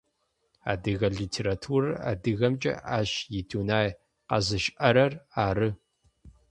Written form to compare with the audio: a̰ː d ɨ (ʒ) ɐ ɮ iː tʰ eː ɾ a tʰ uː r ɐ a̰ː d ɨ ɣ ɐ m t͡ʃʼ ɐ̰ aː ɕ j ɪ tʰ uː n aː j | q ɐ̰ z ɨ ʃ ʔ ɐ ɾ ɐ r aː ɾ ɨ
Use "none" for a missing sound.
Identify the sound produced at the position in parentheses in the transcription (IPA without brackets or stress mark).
ɣ